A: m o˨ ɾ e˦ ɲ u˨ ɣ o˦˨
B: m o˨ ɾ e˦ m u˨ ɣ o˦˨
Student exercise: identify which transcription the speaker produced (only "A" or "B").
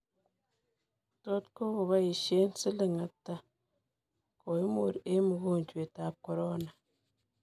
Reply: B